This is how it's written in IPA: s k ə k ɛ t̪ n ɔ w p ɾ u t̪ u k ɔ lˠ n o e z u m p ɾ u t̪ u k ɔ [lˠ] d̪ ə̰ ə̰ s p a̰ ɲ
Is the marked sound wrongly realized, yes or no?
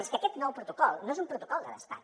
no